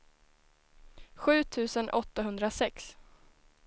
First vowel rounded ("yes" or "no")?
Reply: yes